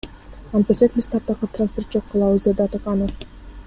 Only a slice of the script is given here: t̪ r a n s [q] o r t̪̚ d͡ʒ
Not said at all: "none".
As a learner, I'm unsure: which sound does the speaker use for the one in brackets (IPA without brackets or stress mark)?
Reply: p